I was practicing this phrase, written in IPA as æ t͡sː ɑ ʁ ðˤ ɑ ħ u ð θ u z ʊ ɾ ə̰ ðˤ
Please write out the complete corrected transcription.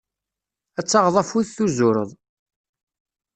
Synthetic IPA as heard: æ t͡sː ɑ ʁ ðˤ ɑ f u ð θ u z ʊ ɾ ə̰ ðˤ